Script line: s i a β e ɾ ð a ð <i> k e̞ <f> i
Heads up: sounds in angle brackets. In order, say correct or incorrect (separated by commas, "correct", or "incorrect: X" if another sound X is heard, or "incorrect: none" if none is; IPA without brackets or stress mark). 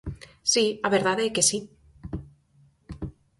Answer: incorrect: e, incorrect: s